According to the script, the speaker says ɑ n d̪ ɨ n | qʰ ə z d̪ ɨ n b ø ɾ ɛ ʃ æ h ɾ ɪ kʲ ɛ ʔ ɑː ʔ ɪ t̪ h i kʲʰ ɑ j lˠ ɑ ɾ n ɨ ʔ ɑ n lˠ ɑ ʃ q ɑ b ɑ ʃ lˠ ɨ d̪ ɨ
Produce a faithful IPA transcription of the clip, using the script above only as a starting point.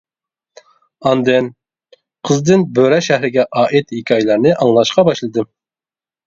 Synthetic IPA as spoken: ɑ n d̪ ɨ n | qʰ ə z d̪ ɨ n b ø ɾ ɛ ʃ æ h ɾ ɪ ɡʲ ɛ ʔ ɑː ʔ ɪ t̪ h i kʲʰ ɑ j lˠ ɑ ɾ n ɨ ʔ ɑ ŋ lˠ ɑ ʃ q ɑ b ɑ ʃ lˠ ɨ d̪ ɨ